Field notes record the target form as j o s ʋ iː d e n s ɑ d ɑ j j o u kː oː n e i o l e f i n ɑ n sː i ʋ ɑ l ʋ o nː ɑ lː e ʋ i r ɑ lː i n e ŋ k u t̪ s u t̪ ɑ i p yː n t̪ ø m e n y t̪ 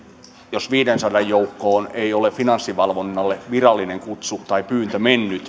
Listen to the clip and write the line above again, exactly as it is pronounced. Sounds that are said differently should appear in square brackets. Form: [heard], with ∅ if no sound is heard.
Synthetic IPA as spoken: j o s ʋ iː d e n s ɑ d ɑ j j o u kː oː n e i o l e f i n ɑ n sː i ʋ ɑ l ʋ o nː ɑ lː e ʋ i r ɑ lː i n e ŋ k u t̪ s u t̪ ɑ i p yː n t̪ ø m e [nː] y t̪